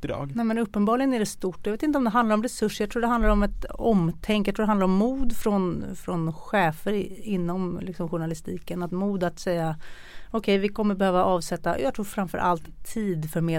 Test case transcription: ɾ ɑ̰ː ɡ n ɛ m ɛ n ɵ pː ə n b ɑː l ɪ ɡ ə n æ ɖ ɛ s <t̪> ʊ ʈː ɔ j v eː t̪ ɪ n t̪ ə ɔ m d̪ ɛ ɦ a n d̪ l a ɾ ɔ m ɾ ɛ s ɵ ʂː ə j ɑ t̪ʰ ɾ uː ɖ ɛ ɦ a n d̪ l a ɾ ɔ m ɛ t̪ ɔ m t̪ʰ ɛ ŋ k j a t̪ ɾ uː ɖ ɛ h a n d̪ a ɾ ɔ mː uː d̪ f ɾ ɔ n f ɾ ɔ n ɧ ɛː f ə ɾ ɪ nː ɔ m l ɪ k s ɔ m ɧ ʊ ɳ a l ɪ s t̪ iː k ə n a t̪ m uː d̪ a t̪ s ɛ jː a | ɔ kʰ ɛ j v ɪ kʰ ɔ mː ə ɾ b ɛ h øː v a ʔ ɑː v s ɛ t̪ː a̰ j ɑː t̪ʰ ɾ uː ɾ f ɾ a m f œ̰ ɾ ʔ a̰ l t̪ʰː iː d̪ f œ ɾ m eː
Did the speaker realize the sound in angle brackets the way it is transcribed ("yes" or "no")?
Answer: yes